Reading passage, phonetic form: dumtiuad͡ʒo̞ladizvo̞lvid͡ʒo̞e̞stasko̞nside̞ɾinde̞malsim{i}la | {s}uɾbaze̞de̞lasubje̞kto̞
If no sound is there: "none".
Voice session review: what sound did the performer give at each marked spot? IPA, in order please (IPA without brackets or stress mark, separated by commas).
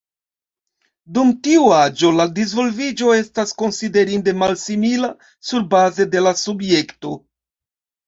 i, s